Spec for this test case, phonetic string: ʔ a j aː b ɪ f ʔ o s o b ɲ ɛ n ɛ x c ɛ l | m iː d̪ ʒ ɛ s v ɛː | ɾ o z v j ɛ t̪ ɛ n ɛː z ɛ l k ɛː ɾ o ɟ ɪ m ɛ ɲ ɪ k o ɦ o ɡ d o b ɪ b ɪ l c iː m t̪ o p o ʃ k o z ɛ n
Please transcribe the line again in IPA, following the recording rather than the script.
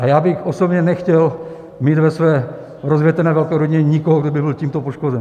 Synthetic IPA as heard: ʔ a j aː b ɪ x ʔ o s o b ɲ ɛ n ɛ x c ɛ l | m iː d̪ v ɛ s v ɛː | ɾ o z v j ɛ t̪ ɛ n ɛː v ɛ l k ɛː ɾ o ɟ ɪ ɲ ɛ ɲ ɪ k o ɦ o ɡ d o b ɪ b ɪ l c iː m t̪ o p o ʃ k o z ɛ n

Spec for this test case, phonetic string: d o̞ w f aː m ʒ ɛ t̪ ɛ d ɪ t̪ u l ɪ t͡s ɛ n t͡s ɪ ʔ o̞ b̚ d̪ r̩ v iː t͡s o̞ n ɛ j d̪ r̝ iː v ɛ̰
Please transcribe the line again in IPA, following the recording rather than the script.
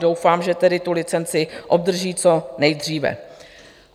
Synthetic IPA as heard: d o̞ w f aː m ʒ ɛ t̪ ɛ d ɪ t̪ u l ɪ t͡s ɛ n t͡s ɪ ʔ o̞ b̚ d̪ r̩ ʒ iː t͡s o̞ n ɛ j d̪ r̝ iː v ɛ̰

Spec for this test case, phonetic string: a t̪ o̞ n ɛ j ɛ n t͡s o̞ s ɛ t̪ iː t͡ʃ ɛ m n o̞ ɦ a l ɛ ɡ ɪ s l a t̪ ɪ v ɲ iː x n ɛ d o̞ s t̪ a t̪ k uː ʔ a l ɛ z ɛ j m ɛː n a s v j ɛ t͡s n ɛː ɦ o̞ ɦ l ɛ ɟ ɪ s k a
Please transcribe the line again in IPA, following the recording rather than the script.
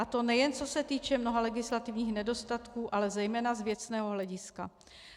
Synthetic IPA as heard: a t̪ o̞ n ɛ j ɛ n t͡s o̞ s ɛ t̪ iː t͡ʃ ɛ m n o̞ ɦ a l ɛ ɡ ɪ s l a t̪ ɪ v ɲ iː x n ɛ d o̞ s t̪ a t̪ k uː ʔ a l ɛ z ɛ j m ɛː n a z v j ɛ t͡s n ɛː ɦ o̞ ɦ l ɛ ɟ ɪ s k a

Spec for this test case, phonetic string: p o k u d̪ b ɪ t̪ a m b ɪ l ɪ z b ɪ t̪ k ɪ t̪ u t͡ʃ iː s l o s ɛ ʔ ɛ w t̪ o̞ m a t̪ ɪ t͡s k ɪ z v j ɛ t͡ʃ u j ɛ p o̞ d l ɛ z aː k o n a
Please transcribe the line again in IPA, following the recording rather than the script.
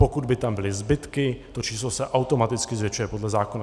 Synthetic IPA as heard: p o k u d̪ b ɪ t̪ a m b ɪ l ɪ z b ɪ t̪ k ɪ t̪ o t͡ʃ iː s l o s ɛ ʔ a w t̪ o̞ m a t̪ ɪ t͡s k ɪ z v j ɛ t͡ʃ u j ɛ p o̞ d l ɛ z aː k o n a

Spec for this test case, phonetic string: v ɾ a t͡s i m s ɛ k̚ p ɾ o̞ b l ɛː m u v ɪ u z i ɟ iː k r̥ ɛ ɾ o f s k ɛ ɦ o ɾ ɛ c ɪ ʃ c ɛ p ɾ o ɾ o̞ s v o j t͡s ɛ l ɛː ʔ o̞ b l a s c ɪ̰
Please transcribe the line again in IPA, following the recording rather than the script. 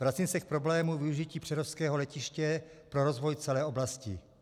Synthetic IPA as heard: v ɾ a t͡s i m s ɛ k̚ p ɾ o̞ b l ɛː m u v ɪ u ʒ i c iː p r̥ ɛ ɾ o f s k ɛː ɦ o l ɛ c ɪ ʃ c ɛ p ɾ o ɾ o̞ z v o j t͡s ɛ l ɛː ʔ o̞ b l a s c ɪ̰

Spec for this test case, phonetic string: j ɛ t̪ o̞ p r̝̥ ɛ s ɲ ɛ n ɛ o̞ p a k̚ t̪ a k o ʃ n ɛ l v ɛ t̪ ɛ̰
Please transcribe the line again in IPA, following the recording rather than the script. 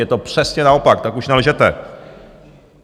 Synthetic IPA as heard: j ɛ t̪ o̞ p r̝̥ ɛ s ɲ ɛ n a o̞ p a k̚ t̪ a k u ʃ n ɛ l ʒ ɛ t̪ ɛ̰

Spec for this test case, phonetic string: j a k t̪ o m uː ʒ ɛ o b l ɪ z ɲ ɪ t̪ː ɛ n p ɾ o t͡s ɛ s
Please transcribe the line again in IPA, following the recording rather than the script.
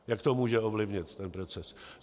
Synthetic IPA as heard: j a k t̪ o m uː ʒ ɛ o v l ɪ v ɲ ɪ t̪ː ɛ n p ɾ o t͡s ɛ s

